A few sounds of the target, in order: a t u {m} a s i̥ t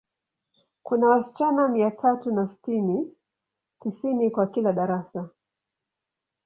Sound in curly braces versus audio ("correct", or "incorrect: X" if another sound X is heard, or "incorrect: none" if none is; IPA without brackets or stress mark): incorrect: n